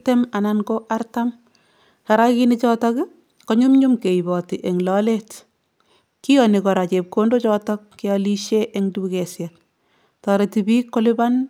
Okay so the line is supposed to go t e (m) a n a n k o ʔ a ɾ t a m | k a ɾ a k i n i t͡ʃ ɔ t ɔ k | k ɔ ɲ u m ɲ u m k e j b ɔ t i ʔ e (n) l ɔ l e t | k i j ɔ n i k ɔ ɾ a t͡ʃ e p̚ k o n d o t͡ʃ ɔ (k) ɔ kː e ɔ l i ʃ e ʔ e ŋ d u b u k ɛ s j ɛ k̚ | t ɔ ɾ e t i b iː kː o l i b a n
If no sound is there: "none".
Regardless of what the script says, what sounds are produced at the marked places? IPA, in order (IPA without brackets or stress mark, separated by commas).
m, ŋ, t